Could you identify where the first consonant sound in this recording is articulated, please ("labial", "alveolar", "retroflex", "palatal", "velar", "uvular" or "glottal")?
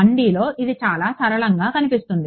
retroflex